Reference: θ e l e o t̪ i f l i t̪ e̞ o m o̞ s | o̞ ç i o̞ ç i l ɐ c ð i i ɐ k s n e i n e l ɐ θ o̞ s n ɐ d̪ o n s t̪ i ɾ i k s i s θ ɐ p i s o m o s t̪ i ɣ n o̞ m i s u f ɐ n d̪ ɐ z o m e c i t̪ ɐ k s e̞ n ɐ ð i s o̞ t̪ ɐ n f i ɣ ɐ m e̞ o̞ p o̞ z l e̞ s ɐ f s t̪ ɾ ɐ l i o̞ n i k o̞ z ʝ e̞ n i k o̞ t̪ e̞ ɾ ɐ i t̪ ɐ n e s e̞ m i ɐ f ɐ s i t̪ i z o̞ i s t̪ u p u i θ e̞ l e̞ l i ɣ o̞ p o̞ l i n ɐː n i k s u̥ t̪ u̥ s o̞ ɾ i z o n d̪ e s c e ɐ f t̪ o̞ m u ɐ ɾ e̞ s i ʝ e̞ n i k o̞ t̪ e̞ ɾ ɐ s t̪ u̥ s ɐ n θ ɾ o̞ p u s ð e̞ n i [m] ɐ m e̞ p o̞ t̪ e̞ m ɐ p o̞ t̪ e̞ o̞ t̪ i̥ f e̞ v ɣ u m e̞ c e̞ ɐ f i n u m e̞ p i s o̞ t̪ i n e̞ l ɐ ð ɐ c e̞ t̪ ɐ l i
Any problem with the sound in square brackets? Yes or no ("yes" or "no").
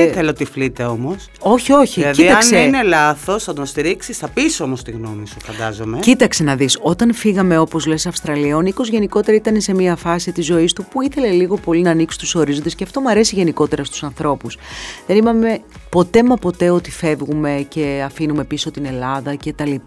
no